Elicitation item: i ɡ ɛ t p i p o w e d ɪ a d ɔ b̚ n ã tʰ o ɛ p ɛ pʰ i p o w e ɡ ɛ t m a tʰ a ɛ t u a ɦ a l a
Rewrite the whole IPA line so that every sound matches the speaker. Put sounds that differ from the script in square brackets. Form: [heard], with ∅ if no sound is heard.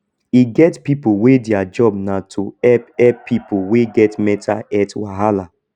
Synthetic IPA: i ɡ ɛ t p i p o w e d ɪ a [d͡ʒ] ɔ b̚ n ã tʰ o ɛ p ɛ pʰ i p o w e ɡ ɛ t m [ɛ] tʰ a ɛ t [w] a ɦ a l a